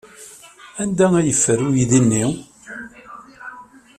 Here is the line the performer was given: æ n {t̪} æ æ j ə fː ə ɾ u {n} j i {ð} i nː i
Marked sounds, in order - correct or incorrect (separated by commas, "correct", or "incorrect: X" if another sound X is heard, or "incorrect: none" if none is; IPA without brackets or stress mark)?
incorrect: d̪, incorrect: none, correct